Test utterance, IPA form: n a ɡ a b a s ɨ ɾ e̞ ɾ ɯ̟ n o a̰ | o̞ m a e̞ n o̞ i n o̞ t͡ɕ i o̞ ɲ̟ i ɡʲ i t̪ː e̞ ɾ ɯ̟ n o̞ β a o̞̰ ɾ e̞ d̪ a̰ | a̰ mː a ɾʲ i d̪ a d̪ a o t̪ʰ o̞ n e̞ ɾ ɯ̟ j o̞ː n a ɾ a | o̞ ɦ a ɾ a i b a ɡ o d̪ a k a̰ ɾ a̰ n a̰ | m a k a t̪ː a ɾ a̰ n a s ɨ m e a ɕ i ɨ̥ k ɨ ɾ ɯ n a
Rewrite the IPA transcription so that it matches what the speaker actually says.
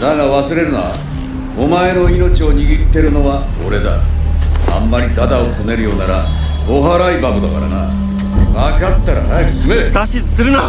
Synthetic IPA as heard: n a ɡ a β a s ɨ ɾ e̞ ɾ ɯ̟ n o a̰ | o̞ m a e̞ n o̞ i n o̞ t͡ɕ i o̞ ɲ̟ i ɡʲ i t̪ː e̞ ɾ ɯ̟ n o̞ β a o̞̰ ɾ e̞ d̪ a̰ | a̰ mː a ɾʲ i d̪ a d̪ a o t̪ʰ o̞ n e̞ ɾ ɯ̟ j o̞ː n a ɾ a | o̞ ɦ a ɾ a i b a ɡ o d̪ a k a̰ ɾ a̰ n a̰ | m a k a t̪ː a ɾ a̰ n a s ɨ m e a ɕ i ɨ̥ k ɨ ɾ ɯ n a